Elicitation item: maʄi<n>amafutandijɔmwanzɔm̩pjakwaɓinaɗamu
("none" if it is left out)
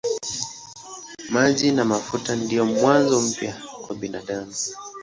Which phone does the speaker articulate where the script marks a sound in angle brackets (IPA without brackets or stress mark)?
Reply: n